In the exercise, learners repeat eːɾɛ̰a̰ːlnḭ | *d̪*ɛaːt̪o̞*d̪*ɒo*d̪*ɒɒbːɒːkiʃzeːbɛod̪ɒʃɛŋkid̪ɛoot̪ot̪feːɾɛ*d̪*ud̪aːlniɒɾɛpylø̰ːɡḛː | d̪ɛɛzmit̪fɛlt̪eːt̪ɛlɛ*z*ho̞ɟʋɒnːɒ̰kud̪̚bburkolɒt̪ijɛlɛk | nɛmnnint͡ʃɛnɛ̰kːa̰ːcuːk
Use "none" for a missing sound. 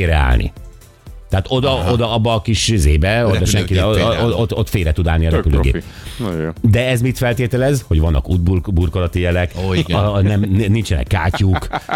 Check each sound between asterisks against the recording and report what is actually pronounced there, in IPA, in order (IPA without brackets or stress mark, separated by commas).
t̪, d̪, d̪, t̪, z